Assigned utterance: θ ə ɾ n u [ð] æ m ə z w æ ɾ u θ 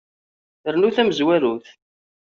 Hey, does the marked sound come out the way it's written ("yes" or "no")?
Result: no